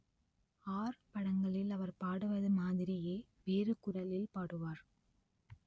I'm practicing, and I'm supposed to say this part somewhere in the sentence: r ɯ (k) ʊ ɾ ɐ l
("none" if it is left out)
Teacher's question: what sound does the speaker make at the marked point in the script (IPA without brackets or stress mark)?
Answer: k